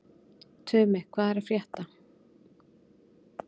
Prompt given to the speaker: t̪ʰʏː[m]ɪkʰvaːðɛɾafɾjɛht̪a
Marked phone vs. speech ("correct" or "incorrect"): correct